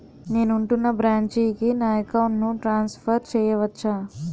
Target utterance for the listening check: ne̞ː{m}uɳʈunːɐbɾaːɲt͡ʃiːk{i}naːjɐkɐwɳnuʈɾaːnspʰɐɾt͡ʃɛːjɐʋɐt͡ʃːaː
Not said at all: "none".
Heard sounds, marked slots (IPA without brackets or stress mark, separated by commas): n, i